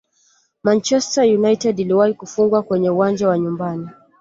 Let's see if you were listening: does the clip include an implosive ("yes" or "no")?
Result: no